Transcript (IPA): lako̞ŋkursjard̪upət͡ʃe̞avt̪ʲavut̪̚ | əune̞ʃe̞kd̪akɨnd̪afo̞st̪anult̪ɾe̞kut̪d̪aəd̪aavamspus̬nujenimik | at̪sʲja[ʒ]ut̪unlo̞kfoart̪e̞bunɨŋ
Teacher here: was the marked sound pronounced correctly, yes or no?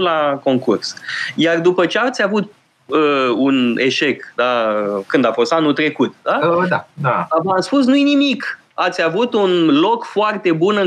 no